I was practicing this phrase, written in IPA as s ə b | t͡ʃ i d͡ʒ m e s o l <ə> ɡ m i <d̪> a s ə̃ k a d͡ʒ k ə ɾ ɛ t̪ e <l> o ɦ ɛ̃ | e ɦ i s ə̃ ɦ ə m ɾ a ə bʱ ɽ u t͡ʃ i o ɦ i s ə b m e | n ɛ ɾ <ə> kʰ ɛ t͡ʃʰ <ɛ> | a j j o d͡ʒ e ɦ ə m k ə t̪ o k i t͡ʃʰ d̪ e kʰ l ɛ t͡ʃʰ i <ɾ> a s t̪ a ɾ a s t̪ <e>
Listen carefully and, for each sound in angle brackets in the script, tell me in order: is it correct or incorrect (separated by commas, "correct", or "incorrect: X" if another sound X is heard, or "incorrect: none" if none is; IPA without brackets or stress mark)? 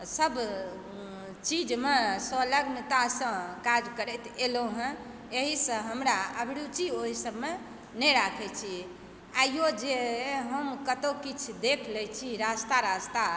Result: correct, incorrect: t̪, correct, incorrect: a, incorrect: i, correct, incorrect: a